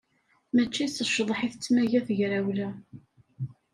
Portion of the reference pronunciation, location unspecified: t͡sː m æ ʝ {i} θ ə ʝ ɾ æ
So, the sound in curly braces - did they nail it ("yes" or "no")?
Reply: no